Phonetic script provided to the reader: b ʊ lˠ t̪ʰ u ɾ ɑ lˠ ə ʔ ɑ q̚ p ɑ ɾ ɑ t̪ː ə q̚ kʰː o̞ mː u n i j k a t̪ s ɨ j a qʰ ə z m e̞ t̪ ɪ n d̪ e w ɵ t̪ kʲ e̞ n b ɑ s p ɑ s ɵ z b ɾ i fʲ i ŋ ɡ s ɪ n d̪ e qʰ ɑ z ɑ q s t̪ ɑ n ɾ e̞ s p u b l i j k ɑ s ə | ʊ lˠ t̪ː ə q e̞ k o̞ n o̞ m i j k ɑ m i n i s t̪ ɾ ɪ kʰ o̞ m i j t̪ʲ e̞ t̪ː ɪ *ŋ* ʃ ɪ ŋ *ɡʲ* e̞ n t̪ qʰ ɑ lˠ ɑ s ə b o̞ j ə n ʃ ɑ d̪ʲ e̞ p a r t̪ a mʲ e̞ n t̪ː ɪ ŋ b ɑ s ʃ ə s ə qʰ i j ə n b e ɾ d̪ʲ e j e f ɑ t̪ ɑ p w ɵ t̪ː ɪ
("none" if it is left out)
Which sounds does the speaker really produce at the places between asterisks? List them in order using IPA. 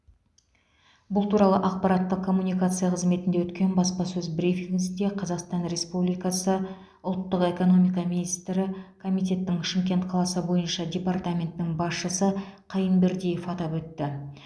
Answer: ŋ, kʲ

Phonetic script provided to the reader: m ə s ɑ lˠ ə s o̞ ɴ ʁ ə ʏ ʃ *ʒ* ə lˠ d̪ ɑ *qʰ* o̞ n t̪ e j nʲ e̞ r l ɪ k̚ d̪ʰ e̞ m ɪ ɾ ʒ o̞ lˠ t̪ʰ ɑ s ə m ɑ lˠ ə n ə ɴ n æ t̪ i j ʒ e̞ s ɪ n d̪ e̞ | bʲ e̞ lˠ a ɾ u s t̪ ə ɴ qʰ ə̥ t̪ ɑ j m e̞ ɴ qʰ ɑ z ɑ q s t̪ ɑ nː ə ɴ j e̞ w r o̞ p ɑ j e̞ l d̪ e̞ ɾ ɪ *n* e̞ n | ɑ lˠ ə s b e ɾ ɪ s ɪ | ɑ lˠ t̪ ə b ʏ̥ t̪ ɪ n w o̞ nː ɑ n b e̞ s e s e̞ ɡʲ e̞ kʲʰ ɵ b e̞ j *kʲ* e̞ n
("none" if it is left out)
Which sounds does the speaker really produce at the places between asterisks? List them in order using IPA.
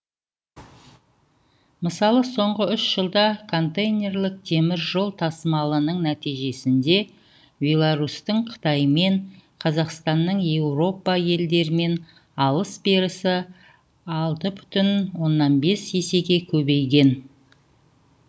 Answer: ʒ, kʰ, m, ɡʲ

